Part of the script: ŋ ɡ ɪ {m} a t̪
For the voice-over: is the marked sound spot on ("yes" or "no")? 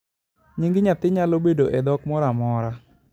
no